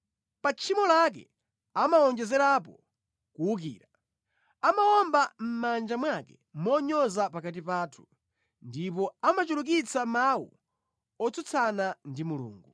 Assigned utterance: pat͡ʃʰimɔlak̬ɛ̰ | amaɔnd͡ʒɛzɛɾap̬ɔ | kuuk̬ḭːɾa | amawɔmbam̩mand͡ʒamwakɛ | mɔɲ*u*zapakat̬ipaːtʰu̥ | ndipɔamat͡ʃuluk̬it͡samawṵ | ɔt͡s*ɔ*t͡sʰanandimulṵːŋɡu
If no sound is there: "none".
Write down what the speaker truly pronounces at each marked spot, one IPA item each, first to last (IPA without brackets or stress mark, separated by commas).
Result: ɔ, u